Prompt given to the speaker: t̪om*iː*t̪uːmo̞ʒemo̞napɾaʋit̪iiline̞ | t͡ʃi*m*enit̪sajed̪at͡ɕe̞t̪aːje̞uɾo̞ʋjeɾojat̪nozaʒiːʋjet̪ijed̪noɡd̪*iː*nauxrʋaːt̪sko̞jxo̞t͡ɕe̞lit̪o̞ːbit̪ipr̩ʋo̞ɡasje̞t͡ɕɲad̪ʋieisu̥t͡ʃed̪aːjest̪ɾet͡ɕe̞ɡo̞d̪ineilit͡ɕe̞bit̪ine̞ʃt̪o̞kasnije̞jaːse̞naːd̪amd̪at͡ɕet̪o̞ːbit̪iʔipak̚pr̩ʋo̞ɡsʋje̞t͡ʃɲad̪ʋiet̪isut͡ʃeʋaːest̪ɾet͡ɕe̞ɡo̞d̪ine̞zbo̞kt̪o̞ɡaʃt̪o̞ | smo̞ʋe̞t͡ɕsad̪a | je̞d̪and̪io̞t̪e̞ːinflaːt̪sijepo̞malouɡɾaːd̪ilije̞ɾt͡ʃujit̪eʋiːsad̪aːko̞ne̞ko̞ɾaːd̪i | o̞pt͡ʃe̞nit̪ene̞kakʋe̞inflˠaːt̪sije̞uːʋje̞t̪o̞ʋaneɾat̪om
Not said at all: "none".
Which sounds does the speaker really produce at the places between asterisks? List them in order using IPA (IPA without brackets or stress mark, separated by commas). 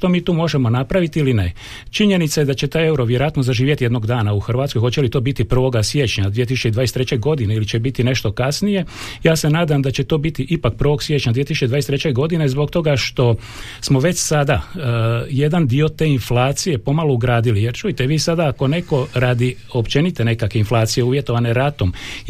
iː, ɲ, aː